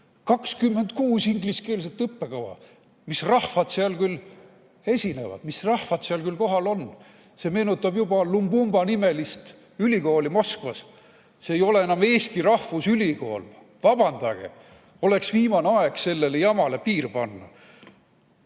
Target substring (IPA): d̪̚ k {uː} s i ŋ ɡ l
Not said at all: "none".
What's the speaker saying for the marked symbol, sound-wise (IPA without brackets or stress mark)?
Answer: uː